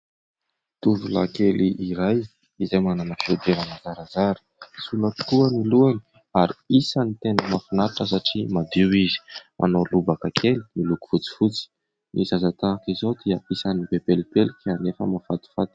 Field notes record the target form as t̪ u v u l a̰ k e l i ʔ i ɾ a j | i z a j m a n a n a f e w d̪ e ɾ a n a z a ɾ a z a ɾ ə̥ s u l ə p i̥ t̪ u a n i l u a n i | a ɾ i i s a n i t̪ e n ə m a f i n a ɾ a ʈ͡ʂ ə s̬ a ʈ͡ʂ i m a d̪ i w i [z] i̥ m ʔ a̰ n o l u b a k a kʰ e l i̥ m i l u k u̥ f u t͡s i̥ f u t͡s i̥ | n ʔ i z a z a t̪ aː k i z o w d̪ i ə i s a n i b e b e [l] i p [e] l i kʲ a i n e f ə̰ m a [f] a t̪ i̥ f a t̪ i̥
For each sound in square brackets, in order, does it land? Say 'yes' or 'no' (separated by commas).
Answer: yes, yes, yes, yes